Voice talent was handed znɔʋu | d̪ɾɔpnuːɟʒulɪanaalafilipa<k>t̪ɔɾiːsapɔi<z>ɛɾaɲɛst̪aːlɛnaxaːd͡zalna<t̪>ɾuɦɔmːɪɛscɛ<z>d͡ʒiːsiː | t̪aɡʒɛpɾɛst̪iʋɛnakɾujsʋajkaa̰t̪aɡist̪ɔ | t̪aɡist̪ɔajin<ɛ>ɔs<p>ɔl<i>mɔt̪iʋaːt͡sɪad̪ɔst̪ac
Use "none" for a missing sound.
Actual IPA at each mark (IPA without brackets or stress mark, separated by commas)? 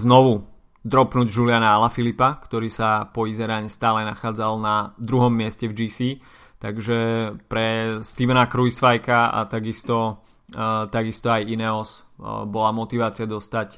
k, z, d̪, v, ɛ, b, a